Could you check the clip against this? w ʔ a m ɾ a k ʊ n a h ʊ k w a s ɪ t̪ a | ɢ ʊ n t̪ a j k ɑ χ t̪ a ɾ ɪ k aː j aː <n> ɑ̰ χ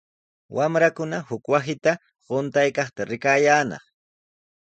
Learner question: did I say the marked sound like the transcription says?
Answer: yes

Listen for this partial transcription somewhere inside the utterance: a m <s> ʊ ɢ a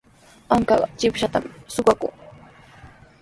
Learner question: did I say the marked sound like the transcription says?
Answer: yes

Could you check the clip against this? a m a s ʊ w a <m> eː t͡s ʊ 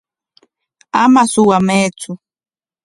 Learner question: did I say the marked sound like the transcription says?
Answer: yes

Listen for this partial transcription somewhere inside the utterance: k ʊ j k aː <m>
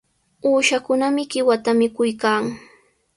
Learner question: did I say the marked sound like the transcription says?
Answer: no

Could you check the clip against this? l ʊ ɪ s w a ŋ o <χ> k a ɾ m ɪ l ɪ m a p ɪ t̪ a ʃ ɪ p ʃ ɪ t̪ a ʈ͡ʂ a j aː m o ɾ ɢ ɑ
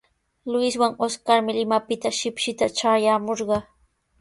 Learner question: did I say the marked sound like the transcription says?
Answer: no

